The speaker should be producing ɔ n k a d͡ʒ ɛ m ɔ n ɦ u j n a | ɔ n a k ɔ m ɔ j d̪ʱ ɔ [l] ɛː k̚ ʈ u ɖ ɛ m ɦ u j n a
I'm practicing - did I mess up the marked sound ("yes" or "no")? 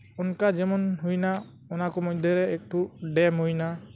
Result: yes